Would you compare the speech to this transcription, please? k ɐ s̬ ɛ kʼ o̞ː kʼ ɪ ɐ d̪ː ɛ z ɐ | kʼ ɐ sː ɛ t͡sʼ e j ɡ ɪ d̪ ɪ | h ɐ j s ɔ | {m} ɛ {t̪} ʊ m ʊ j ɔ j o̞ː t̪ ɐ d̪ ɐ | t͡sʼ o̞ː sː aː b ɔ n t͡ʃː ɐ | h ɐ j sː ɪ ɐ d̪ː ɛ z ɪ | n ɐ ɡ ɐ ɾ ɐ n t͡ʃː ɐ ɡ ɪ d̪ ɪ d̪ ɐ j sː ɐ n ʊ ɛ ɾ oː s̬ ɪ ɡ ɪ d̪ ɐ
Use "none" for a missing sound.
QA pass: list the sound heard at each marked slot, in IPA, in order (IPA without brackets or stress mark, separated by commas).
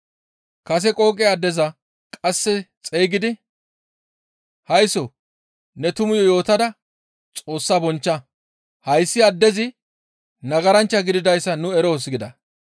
n, t̪